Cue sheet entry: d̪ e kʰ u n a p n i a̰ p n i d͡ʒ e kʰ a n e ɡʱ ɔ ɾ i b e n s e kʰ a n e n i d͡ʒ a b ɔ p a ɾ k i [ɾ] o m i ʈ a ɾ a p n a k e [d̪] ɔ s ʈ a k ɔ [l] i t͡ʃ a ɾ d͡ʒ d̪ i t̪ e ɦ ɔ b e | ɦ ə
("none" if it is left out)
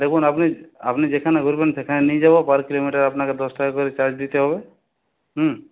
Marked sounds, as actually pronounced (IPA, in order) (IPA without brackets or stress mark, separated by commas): l, d̪, ɾ